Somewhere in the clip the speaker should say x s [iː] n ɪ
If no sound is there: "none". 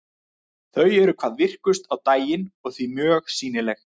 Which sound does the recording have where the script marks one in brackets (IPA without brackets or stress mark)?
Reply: iː